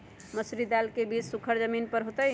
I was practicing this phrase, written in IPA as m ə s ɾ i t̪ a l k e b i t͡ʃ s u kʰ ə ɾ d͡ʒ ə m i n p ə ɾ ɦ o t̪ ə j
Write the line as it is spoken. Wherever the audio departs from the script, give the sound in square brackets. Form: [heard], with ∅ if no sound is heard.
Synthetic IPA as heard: m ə s ɾ i [d̪] a l k e b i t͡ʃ s u kʰ ə ɾ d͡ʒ ə m i n p ə ɾ ɦ o t̪ ə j

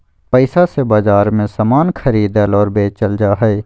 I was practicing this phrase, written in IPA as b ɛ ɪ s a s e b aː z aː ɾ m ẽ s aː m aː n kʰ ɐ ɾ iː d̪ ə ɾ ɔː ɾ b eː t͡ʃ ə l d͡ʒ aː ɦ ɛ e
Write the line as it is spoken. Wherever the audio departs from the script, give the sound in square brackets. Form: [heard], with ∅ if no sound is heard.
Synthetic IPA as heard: [p] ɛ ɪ s a s e b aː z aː ɾ m ẽ s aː m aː n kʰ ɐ ɾ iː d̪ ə [l] ɔː ɾ b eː t͡ʃ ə l d͡ʒ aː ɦ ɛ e

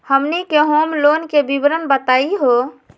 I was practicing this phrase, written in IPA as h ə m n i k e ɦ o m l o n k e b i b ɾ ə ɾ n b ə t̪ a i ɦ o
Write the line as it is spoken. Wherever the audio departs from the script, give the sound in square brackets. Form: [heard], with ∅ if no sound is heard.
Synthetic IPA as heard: h ə m n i k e ɦ o m l o n k e b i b ɾ ə [∅] n b ə t̪ a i ɦ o

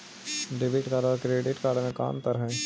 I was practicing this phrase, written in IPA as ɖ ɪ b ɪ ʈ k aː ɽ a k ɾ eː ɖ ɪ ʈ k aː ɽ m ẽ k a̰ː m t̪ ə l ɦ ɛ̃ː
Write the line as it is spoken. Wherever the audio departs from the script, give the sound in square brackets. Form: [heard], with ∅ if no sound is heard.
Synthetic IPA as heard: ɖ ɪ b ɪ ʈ k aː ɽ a k ɾ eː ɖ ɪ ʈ k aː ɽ m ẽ k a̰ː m t̪ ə [ɾ] ɦ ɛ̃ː

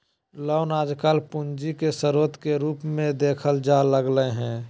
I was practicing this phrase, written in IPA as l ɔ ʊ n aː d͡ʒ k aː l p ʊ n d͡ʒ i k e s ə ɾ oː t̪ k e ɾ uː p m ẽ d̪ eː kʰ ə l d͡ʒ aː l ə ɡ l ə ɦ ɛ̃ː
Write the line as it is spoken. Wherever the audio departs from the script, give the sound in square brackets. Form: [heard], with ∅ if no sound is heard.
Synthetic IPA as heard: l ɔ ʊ n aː d͡ʒ k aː l p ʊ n d͡ʒ i k e s ə ɾ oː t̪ k e ɾ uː p m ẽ d̪ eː kʰ ə l d͡ʒ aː l ə ɡ l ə ɦ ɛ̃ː

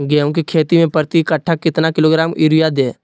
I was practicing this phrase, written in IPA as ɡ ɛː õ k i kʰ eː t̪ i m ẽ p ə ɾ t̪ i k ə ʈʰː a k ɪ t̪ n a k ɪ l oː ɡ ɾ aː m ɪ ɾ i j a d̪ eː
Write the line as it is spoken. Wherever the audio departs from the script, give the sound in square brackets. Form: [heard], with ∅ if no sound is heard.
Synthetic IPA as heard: ɡ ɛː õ k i kʰ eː t̪ i m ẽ p ə ɾ t̪ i k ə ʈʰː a k ɪ t̪ n a k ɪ l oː ɡ ɾ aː m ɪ ɾ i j a d̪ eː

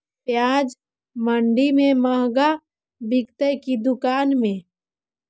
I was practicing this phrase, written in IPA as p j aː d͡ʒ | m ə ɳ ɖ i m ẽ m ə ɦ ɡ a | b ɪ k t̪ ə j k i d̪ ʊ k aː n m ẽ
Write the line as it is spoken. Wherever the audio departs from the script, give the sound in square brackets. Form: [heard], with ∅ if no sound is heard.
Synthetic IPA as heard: p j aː d͡ʒ | m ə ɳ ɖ i m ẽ m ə ɦ ɡ a | b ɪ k t̪ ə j k i d̪ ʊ k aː n m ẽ

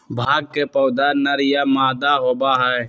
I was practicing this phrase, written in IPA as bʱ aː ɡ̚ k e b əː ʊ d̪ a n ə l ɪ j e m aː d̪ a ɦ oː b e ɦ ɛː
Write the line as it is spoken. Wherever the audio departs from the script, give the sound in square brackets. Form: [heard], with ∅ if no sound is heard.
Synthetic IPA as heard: bʱ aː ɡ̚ k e [p] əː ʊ d̪ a n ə [ɾ] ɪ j [a] m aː d̪ a ɦ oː b [a] ɦ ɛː

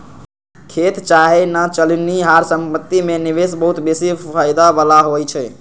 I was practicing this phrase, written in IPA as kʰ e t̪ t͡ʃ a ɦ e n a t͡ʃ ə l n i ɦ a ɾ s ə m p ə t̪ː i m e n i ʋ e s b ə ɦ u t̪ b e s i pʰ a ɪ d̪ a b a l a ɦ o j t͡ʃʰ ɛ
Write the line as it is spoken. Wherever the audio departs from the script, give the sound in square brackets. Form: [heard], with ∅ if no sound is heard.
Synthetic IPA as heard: kʰ e t̪ t͡ʃ a ɦ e n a t͡ʃ ə l n i ɦ a ɾ s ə m p ə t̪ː i m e n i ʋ e s b ə ɦ u t̪ b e s i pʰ a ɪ d̪ a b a l a ɦ o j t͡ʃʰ ɛ

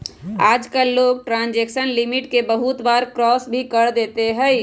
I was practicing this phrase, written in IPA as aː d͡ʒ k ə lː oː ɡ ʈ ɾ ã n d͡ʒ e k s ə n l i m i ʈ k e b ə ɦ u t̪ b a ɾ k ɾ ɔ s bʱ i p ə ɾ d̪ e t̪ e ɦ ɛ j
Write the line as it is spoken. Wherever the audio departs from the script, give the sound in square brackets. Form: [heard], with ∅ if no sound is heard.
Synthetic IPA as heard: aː d͡ʒ k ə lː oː ɡ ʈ ɾ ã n d͡ʒ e k s ə n l i m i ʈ k e b ə ɦ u t̪ b a ɾ k ɾ ɔ s bʱ i [k] ə ɾ d̪ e t̪ e ɦ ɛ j

